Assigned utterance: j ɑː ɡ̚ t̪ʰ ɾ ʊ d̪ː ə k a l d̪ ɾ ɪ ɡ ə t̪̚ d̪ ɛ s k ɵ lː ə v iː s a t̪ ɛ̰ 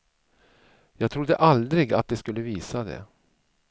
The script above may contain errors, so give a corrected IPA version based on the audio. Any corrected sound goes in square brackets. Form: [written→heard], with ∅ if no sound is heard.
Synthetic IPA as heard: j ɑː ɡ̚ t̪ʰ ɾ ʊ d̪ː ə [k→ʔ] a l d̪ ɾ ɪ ɡ [ə→a] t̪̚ d̪ ɛ s k ɵ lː ə v iː s a [t̪→d̪] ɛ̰